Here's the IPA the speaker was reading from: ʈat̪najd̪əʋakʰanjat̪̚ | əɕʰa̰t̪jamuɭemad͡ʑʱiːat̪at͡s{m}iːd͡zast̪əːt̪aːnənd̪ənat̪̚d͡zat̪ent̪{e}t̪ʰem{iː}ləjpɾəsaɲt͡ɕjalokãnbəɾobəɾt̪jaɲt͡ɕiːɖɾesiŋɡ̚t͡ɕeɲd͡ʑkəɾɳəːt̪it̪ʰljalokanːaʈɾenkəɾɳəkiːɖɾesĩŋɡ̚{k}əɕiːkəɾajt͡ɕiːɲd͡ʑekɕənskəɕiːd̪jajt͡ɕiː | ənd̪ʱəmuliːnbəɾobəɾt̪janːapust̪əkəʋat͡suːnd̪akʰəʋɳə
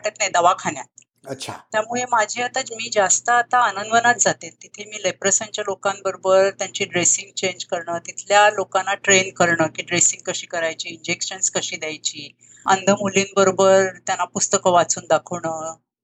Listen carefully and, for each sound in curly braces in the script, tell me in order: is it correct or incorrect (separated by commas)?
correct, incorrect, correct, correct